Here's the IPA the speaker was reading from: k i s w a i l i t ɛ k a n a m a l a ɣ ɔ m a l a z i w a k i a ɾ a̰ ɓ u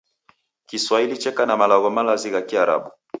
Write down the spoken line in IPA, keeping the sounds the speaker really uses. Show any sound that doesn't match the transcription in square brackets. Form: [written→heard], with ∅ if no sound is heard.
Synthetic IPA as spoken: k i s w a i l i [t→t͡ʃ] ɛ k a n a m a l a ɣ ɔ m a l a z i [w→ɣ] a k i a ɾ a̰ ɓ u